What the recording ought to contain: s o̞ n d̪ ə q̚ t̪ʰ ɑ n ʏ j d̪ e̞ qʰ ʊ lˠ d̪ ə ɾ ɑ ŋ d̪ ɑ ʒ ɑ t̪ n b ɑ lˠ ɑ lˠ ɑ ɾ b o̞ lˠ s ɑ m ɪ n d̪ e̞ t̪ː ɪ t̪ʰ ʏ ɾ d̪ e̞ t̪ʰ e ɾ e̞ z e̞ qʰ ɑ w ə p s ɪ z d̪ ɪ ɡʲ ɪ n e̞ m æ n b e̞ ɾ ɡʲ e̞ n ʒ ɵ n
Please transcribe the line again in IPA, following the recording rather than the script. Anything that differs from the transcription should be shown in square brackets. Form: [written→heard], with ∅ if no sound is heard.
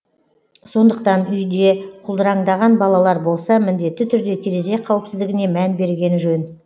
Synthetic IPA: s o̞ n d̪ ə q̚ [t̪ʰ→t̪] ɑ n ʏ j d̪ e̞ qʰ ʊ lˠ d̪ ə ɾ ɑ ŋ d̪ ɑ [ʒ→ʁ] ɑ [t̪→∅] n b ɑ lˠ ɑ lˠ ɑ ɾ b o̞ lˠ s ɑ m ɪ n d̪ e̞ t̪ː ɪ t̪ʰ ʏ ɾ d̪ e̞ t̪ʰ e ɾ e̞ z e̞ qʰ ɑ w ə p s ɪ z d̪ ɪ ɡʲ ɪ n e̞ m æ n b e̞ ɾ ɡʲ e̞ n ʒ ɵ n